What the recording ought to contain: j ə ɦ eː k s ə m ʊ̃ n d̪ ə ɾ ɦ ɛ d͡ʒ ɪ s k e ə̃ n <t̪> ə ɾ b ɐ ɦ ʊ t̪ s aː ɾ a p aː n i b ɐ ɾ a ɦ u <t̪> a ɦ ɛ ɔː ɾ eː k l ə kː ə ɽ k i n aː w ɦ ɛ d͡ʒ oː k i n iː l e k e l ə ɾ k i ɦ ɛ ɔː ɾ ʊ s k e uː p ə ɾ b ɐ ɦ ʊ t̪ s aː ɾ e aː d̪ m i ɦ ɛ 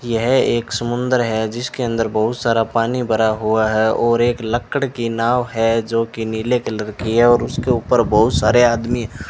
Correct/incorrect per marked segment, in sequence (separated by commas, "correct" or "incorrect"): incorrect, incorrect